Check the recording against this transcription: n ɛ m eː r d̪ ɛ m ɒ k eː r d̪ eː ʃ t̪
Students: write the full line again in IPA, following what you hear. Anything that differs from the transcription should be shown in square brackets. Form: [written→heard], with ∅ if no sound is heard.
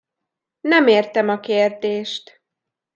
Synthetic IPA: n ɛ m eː r [d̪→t̪] ɛ m ɒ k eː r d̪ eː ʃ t̪

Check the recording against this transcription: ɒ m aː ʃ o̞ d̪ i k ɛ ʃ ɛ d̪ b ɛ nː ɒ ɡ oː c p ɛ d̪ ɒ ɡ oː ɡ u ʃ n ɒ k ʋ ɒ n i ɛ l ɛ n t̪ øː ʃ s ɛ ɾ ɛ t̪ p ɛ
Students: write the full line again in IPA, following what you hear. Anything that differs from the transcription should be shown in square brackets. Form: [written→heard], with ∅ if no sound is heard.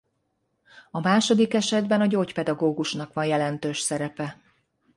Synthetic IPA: ɒ m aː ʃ o̞ d̪ i k ɛ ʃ ɛ d̪ b ɛ [nː→n] ɒ [ɡ→ɟ] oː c p ɛ d̪ ɒ ɡ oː ɡ u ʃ n ɒ k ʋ ɒ n [i→j] ɛ l ɛ n t̪ øː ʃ s ɛ ɾ ɛ [t̪→∅] p ɛ

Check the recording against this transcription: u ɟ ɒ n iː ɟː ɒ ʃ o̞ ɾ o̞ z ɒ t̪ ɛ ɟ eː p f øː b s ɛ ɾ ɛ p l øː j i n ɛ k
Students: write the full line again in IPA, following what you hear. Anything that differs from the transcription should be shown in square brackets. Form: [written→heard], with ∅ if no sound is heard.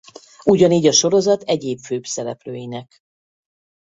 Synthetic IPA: u ɟ ɒ n iː [ɟː→ɟ] ɒ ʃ o̞ ɾ o̞ z ɒ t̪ ɛ ɟ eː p f øː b s ɛ ɾ ɛ p l øː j i n ɛ k

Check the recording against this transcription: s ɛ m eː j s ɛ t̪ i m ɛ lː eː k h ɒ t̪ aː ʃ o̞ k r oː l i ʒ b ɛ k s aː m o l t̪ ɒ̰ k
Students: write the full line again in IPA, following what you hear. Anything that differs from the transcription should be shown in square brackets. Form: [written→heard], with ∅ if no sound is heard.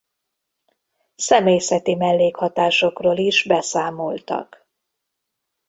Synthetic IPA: s ɛ m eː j s ɛ t̪ i m ɛ lː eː k h ɒ t̪ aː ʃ o̞ k r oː l i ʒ b ɛ [k→∅] s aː m o l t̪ ɒ̰ k

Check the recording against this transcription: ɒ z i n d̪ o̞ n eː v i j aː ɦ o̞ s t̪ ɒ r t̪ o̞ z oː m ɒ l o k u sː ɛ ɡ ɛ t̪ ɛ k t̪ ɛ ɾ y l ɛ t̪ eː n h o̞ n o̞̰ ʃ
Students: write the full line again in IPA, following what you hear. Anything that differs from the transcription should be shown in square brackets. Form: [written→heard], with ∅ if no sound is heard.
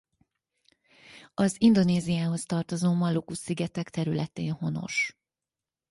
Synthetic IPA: ɒ z i n d̪ o̞ n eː [v→z] i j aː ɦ o̞ s t̪ ɒ r t̪ o̞ z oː m ɒ l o k u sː [ɛ→i] ɡ ɛ t̪ ɛ k t̪ ɛ ɾ y l ɛ t̪ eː n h o̞ n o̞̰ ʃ

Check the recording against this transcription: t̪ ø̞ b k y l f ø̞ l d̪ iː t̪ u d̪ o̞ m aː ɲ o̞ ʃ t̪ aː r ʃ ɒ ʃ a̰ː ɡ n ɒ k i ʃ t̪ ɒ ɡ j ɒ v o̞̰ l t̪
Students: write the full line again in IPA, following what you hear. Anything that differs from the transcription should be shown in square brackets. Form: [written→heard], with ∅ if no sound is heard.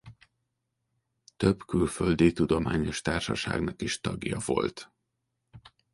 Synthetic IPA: t̪ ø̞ b k y l f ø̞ l d̪ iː t̪ u d̪ o̞ m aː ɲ o̞ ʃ t̪ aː r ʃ ɒ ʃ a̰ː ɡ n ɒ k i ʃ t̪ ɒ ɡ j ɒ v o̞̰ l t̪

